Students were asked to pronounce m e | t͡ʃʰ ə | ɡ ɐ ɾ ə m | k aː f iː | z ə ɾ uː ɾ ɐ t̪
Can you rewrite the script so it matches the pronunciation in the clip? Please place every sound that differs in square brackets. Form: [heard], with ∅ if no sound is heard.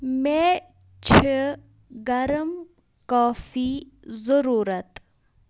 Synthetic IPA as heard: m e | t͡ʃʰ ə | ɡ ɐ ɾ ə m | k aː f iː | z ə ɾ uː ɾ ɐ t̪